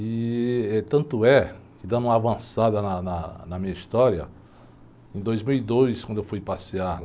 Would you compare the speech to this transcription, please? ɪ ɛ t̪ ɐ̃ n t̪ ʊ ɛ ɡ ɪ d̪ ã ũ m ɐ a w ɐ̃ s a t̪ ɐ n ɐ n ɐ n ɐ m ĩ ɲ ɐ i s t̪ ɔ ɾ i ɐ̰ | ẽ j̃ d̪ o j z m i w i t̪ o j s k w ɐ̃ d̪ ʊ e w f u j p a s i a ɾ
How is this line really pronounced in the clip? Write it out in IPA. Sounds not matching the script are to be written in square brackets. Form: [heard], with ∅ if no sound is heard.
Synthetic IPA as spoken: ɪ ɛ t̪ ɐ̃ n t̪ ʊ ɛ [k] ɪ d̪ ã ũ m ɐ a [v] ɐ̃ s a [d̪] ɐ n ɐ n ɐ n ɐ m ĩ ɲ ɐ i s t̪ ɔ ɾ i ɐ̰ | ẽ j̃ d̪ o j z m i w i [d̪] o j s k w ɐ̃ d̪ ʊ e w f u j p a s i a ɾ

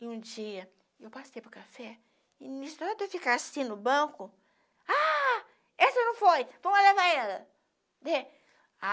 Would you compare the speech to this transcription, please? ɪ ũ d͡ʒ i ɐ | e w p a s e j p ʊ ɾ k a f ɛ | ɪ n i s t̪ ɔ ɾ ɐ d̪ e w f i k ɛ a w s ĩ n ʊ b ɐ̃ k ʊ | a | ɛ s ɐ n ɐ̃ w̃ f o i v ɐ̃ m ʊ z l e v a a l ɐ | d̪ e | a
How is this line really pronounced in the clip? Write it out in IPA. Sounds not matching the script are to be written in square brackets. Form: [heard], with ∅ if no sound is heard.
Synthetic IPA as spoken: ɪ ũ d͡ʒ i ɐ | e w p a s e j p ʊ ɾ k a f ɛ | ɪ n i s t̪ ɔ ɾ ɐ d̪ e w f i k [a] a [∅] s ĩ n ʊ b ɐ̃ k ʊ | a | ɛ s ɐ n ɐ̃ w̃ f o [j] v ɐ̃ m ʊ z l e v a [ɛ] l ɐ | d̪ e | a

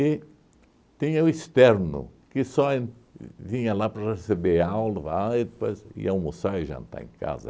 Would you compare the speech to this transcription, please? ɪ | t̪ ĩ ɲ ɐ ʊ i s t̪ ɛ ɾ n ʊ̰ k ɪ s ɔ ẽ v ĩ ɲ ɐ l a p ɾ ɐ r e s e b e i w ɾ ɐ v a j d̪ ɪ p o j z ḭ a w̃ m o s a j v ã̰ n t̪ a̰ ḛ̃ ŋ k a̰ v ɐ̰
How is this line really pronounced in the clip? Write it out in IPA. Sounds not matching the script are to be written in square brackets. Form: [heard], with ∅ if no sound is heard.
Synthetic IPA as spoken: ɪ | t̪ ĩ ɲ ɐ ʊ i s t̪ ɛ ɾ n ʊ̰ k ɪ s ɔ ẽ v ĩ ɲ ɐ l a p ɾ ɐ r e s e b e [a] w [l] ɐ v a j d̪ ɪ p o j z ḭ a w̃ m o s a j [ʒ] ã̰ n t̪ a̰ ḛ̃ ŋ k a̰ [z] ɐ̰

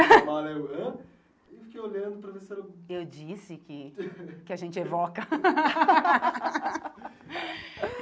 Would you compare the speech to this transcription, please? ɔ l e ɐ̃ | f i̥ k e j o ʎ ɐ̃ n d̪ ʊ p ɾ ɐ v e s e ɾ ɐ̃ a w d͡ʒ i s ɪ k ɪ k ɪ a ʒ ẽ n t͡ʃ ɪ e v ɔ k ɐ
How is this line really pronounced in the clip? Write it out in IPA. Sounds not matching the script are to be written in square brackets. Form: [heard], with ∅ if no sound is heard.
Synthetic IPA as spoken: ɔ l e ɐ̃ | f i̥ k e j o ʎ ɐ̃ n d̪ ʊ p ɾ ɐ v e s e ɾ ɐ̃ [e] w d͡ʒ i s ɪ k ɪ k ɪ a ʒ ẽ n t͡ʃ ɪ e v ɔ k ɐ

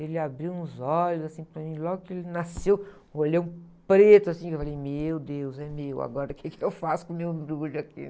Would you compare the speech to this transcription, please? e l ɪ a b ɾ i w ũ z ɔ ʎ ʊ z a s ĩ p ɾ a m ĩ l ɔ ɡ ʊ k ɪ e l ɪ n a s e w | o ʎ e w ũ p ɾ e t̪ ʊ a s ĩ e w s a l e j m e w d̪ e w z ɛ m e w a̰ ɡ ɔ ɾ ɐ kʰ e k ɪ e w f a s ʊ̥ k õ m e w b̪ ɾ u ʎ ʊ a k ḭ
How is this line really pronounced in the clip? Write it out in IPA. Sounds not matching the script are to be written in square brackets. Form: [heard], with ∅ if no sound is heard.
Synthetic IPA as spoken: e l ɪ a b ɾ i w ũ z ɔ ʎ ʊ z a s ĩ p ɾ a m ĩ l ɔ ɡ ʊ k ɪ e l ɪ n a s e w | o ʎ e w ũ p ɾ e t̪ ʊ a s ĩ e w [f] a l e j m e w d̪ e w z ɛ m e w a̰ ɡ ɔ ɾ ɐ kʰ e k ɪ e w f a s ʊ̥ k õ m e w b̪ ɾ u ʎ ʊ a k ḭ

